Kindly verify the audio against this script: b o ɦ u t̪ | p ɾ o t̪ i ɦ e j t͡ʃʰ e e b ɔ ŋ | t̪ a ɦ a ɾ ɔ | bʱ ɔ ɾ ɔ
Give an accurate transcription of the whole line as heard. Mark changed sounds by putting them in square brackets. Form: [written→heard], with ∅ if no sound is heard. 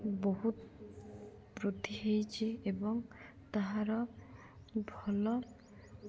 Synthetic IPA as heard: b o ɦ u t̪ | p ɾ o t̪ i ɦ e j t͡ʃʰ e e b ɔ ŋ | t̪ a ɦ a ɾ ɔ | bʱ ɔ [ɾ→l] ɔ